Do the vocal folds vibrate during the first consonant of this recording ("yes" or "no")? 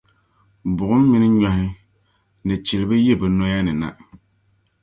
yes